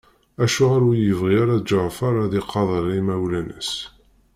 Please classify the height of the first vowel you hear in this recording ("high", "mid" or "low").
low